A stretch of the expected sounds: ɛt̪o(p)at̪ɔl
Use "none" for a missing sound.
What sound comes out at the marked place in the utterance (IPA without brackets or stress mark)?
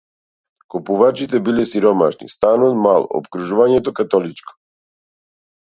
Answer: k